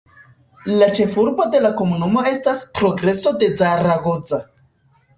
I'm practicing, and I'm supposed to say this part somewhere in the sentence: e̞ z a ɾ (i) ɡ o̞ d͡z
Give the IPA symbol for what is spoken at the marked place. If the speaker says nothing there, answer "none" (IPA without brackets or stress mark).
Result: a